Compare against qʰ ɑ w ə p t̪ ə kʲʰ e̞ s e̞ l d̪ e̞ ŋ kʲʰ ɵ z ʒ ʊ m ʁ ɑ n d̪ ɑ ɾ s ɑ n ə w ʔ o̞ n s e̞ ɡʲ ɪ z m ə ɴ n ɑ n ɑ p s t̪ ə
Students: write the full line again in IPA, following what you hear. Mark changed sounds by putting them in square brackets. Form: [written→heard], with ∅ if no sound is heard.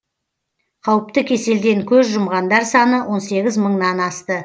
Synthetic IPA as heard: qʰ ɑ w ə p t̪ ə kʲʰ e̞ s e̞ l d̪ e̞ ŋ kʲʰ ɵ z ʒ ʊ m ʁ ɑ n d̪ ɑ ɾ s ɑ n ə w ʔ o̞ n s e̞ ɡʲ ɪ z m ə ɴ n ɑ n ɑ [p→∅] s t̪ ə